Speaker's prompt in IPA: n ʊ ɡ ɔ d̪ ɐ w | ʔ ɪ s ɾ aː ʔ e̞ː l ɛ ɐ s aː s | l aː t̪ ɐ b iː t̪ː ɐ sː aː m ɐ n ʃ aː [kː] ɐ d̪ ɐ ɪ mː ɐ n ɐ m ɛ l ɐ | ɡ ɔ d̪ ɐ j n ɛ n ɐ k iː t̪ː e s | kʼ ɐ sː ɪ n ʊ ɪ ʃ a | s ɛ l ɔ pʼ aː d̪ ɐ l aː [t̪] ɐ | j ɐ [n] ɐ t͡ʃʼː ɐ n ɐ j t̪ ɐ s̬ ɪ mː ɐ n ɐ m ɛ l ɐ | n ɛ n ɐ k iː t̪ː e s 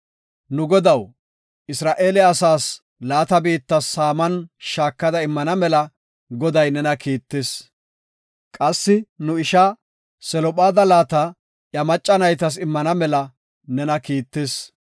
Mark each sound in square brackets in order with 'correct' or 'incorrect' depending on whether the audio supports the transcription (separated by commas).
correct, correct, incorrect